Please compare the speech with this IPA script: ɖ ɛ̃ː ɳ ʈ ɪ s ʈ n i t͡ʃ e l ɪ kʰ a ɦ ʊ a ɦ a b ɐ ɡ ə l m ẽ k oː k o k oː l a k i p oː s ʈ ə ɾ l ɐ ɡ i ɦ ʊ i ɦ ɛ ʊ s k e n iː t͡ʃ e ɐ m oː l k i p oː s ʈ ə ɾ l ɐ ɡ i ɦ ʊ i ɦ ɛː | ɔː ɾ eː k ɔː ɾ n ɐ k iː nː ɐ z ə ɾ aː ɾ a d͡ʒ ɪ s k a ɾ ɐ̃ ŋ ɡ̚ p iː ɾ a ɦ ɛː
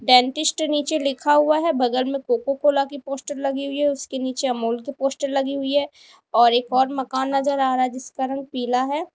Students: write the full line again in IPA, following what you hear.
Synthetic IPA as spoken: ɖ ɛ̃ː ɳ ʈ ɪ s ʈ n iː t͡ʃ e l ɪ kʰ a ɦ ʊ a ɦ ɛ b ɐ ɡ ə l m ẽ k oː k o k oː l a k i p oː s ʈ ə ɾ l ɐ ɡ i ɦ ʊ i ɦ ɛ ʊ s k e n iː t͡ʃ e ɐ m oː l k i p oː s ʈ ə ɾ l ɐ ɡ i ɦ ʊ i ɦ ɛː | ɔː ɾ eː k ɔː ɾ m ɐ k aː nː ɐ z ə ɾ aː ɾ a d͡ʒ ɪ s k a ɾ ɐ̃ ŋ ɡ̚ p iː l a ɦ ɛː